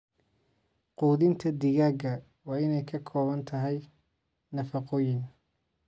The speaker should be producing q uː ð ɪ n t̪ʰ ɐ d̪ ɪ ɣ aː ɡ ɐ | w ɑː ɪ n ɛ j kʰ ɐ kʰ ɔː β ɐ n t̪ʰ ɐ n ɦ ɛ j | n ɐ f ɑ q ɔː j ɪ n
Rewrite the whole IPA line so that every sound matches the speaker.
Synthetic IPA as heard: q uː ð ɪ n t̪ʰ ɐ d̪ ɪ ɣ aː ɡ ɐ | w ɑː ɪ n ɛ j kʰ ɐ kʰ ɔː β ɐ n t̪ʰ ɐ ɦ ɛ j | n ɐ f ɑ q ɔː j ɪ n